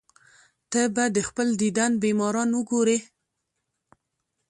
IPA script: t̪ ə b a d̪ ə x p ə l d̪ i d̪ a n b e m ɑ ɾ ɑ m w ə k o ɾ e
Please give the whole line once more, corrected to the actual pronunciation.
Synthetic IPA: t̪ ə b a d̪ ə x p ə l d̪ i d̪ a n b e m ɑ ɾ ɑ n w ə ɡ o ɾ e